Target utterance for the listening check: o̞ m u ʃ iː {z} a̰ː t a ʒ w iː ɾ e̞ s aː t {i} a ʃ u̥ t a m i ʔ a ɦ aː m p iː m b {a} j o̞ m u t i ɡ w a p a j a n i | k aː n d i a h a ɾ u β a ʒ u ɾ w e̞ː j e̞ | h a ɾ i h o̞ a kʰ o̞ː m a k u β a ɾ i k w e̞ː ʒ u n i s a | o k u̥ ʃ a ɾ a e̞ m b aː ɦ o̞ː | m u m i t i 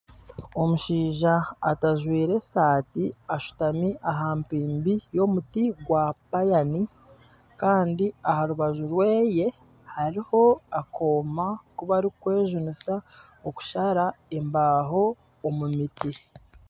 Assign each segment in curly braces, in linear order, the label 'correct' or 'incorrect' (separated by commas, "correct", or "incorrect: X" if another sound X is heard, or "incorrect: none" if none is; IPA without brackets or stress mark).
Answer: incorrect: ʒ, correct, incorrect: i